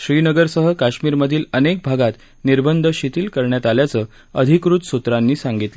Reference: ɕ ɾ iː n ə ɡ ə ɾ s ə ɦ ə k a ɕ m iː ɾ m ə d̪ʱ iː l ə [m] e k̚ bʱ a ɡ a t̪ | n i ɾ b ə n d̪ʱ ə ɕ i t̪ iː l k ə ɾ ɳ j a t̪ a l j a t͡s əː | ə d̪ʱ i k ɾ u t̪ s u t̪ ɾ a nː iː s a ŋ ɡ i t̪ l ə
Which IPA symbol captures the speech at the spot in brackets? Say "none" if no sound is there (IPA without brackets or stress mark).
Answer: n